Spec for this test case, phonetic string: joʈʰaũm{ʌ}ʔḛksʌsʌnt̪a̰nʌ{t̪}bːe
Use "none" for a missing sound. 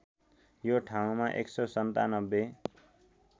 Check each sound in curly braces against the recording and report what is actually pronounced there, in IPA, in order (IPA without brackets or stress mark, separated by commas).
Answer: a, none